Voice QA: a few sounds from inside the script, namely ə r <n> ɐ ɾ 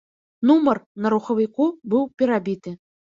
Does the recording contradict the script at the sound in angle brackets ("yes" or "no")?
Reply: no